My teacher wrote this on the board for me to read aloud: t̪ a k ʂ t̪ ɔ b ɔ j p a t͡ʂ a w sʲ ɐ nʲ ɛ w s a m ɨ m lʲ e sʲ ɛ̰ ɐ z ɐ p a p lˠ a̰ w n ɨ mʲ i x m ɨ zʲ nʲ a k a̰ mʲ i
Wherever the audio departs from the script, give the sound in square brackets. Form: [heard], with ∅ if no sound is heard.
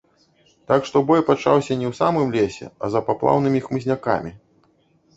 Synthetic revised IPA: t̪ a k ʂ t̪ ɔ b ɔ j p a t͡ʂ a w sʲ ɐ nʲ ɛ w s a m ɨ m lʲ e sʲ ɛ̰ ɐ z ɐ p a p lˠ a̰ w n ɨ mʲ i x m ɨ zʲ nʲ a k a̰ mʲ i